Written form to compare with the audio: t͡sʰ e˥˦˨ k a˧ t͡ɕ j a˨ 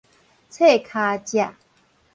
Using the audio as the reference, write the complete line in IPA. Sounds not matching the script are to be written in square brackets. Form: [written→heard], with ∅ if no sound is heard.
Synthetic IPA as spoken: t͡sʰ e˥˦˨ [k→kʰ] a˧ t͡ɕ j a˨